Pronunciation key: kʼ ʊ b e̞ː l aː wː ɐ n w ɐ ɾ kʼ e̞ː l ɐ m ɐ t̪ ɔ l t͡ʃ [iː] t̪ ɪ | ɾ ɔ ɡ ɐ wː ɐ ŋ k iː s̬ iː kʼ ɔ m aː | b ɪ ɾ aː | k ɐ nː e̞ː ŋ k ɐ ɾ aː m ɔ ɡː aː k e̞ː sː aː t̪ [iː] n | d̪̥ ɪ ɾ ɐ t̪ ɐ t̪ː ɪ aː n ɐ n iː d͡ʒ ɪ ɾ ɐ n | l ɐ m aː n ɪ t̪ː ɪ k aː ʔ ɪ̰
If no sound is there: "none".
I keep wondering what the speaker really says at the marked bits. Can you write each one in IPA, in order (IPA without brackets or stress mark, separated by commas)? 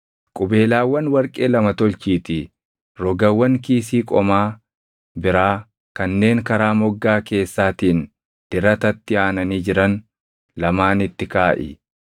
iː, iː